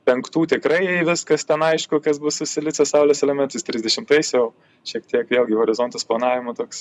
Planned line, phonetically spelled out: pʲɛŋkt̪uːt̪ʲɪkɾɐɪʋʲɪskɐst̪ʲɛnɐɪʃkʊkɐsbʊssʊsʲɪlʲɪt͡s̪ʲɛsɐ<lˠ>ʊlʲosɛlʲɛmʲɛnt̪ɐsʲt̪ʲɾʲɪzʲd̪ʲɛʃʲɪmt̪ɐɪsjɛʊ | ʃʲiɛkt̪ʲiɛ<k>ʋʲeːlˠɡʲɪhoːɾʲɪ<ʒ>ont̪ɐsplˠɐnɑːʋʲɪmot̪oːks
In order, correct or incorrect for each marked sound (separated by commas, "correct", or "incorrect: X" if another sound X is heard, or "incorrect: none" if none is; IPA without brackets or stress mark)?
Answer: incorrect: none, correct, incorrect: z